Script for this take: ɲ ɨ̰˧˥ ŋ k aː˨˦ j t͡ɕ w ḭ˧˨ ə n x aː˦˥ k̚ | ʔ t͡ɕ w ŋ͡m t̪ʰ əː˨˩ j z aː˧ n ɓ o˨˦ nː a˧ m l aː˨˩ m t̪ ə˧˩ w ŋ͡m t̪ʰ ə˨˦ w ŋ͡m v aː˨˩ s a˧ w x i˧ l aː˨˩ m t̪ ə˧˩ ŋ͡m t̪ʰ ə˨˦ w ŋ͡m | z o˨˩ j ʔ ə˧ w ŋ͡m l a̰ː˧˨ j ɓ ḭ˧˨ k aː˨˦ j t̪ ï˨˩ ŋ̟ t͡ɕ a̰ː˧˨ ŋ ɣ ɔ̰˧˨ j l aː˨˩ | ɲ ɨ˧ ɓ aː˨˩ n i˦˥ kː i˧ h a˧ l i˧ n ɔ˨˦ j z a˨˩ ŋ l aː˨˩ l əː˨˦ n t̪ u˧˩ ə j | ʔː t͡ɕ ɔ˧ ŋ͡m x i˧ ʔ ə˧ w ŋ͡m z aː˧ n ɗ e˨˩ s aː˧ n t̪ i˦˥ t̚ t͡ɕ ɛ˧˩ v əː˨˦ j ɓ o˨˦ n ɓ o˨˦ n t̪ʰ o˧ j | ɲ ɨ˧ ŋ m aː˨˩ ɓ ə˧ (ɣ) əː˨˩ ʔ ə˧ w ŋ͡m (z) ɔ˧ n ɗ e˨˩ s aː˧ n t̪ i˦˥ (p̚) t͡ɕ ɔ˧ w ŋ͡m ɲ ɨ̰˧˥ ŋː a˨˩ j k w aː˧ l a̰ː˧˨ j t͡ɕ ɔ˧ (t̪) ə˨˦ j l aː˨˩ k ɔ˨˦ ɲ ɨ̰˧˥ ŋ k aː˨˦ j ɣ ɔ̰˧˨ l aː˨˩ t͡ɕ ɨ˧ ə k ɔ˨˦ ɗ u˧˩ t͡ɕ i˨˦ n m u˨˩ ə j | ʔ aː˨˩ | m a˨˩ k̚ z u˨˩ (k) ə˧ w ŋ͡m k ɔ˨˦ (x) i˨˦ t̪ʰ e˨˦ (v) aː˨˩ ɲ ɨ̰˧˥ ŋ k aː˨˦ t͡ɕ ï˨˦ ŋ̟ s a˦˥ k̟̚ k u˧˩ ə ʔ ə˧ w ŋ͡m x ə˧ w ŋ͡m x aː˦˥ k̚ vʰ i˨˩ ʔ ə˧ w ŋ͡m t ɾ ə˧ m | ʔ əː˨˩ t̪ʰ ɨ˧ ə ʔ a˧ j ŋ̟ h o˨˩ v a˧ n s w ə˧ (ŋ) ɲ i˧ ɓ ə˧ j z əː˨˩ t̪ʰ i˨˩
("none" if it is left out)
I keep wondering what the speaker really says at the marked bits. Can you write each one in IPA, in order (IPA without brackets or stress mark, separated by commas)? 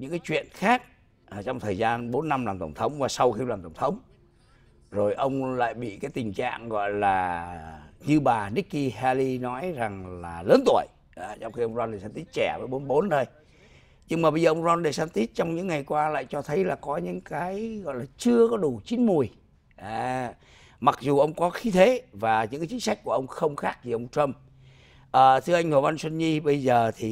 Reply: z, z, t̚, t̪ʰ, ʔ, x, v, n